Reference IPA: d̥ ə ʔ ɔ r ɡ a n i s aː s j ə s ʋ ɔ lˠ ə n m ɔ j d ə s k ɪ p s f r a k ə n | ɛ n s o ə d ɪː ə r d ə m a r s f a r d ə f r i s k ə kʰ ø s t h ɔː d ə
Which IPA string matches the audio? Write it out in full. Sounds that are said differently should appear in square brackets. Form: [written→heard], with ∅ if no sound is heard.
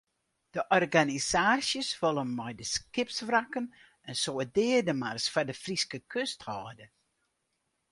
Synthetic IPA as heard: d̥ ə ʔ ɔ r ɡ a n i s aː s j ə s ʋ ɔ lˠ ə n m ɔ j d ə s k ɪ p s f r a k ə n | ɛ n s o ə d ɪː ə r d ə m a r s f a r d ə f r i s k ə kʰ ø s t h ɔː d ə